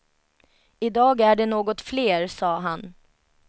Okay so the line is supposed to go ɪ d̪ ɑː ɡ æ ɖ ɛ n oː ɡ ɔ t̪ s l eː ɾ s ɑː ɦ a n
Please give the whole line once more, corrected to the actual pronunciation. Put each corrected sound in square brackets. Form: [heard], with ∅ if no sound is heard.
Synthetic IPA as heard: ɪ d̪ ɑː ɡ æ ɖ ɛ n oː ɡ ɔ t̪ [f] l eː ɾ s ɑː ɦ a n